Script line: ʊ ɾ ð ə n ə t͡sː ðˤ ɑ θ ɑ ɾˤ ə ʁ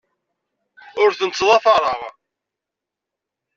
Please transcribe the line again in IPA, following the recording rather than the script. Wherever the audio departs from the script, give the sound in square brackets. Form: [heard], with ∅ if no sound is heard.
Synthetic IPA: ʊ ɾ [θ] ə n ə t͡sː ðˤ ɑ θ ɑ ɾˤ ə ʁ